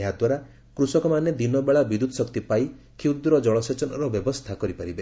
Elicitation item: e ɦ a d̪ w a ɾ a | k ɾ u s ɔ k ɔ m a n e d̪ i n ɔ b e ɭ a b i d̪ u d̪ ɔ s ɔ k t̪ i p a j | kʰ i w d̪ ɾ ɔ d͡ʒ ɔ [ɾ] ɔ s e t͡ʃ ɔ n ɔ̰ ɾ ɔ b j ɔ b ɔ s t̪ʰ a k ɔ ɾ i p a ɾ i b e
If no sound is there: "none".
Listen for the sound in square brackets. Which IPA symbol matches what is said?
ɭ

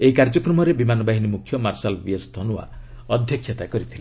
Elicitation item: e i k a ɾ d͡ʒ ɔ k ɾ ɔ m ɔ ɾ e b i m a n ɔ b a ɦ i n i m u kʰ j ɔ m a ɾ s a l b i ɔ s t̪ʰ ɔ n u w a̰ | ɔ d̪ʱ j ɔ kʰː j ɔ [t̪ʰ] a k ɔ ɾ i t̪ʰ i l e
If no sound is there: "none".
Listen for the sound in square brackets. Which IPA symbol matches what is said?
t̪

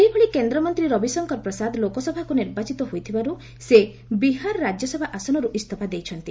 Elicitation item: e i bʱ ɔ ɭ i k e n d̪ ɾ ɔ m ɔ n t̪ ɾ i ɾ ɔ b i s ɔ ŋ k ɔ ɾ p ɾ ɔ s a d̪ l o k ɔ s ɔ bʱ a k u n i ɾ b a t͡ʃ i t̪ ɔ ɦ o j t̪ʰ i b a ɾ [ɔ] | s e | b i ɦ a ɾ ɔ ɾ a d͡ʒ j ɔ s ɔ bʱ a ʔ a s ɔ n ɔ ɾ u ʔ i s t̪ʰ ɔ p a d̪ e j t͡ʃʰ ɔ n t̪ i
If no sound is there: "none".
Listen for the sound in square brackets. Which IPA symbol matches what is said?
u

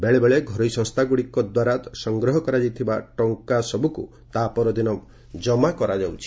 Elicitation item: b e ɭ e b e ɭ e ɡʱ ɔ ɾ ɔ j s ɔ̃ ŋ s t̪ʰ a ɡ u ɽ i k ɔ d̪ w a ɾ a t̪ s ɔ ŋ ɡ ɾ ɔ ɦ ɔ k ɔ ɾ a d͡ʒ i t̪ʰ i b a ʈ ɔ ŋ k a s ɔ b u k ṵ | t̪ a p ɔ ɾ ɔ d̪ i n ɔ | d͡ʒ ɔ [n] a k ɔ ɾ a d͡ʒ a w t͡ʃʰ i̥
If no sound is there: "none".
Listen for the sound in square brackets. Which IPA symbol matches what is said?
m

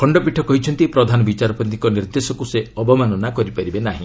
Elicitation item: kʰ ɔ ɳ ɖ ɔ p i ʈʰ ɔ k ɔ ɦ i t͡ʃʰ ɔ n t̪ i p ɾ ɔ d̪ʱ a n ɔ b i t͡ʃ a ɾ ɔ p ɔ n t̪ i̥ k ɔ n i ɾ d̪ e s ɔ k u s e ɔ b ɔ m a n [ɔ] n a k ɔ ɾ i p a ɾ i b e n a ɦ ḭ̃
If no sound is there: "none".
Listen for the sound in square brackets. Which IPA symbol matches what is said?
ɔ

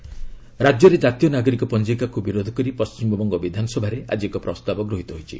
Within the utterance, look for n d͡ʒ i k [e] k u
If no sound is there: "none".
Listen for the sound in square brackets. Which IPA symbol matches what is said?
a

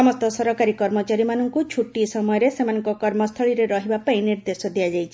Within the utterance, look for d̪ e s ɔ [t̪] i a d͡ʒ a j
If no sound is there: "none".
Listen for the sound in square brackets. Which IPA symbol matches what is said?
d̪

